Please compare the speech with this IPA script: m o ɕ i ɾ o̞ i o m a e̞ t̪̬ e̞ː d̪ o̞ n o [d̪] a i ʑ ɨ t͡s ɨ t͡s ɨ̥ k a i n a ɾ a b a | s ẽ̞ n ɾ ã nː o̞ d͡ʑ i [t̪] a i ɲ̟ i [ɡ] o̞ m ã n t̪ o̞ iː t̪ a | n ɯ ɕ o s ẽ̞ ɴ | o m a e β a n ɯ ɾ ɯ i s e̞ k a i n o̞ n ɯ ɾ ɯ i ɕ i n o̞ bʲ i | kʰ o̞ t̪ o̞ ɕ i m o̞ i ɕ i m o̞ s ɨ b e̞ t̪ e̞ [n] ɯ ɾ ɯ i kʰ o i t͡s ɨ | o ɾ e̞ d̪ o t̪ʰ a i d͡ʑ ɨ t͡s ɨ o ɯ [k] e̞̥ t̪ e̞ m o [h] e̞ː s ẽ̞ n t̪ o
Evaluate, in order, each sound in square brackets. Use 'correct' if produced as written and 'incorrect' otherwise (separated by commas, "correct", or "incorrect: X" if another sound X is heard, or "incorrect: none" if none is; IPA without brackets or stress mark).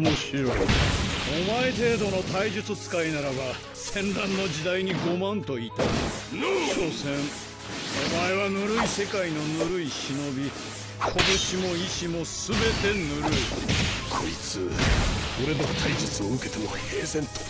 incorrect: t̪, incorrect: d̪, correct, correct, correct, correct